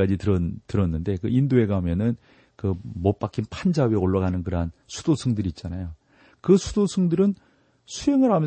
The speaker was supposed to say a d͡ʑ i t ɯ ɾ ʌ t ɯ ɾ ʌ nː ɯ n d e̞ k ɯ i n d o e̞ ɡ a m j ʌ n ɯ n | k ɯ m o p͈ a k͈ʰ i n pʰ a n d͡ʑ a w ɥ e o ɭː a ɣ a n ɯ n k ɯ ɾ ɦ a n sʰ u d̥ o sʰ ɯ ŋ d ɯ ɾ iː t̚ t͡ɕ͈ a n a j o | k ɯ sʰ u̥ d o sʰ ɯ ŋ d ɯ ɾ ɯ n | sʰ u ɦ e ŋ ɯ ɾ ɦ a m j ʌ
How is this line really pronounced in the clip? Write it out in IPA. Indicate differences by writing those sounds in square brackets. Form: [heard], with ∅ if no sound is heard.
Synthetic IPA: a d͡ʑ i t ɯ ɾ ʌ t ɯ ɾ ʌ nː ɯ n d e̞ k ɯ i n d o e̞ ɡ a m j ʌ n ɯ n | k ɯ m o p͈ a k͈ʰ i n pʰ a n d͡ʑ a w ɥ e o ɭː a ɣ a n ɯ n k ɯ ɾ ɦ a n sʰ u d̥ o sʰ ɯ ŋ d ɯ ɾ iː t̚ t͡ɕ͈ a n a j o | k ɯ sʰ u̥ d o sʰ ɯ ŋ d ɯ ɾ ɯ n | sʰ u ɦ e ŋ ɯ ɾ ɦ a m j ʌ